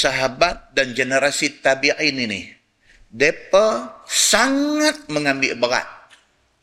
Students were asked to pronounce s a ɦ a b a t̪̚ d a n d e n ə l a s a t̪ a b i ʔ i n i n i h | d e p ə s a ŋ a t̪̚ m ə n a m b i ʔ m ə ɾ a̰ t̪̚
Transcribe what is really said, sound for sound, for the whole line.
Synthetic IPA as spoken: s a ɦ a b a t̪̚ d a n d͡ʒ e n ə ɾ a s i t̪ a b i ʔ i n i n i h | d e p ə s a ŋ a t̪̚ m ə ŋ a m b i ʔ b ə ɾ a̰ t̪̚